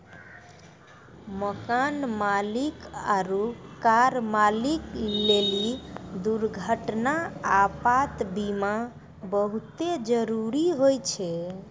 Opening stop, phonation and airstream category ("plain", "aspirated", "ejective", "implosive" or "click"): plain